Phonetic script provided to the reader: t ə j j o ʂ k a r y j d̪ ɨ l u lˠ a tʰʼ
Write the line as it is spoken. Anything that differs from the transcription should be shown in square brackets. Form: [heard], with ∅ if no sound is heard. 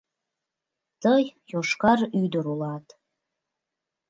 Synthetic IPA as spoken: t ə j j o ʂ k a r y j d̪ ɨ [ɾ] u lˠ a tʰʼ